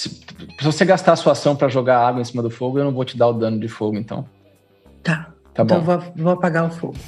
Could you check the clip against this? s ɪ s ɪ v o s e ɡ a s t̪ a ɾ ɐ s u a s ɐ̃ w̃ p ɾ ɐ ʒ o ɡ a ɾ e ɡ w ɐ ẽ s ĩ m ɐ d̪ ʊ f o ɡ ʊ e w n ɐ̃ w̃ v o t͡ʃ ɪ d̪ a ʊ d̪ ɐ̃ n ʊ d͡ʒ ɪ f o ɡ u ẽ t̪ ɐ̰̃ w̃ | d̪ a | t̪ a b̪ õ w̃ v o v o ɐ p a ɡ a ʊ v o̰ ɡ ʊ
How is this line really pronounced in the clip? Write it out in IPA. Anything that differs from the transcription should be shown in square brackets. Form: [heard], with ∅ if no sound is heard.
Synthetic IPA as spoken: s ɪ s ɪ v o s e ɡ a s t̪ a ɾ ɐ s u a s ɐ̃ w̃ p ɾ ɐ ʒ o ɡ a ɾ [a] ɡ w ɐ ẽ s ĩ m ɐ d̪ ʊ f o ɡ ʊ e w n ɐ̃ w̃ v o t͡ʃ ɪ d̪ a ʊ d̪ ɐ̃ n ʊ d͡ʒ ɪ f o ɡ [ʊ] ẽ t̪ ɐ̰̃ w̃ | [t̪] a | t̪ a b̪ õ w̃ v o v o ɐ p a ɡ a ʊ [f] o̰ ɡ ʊ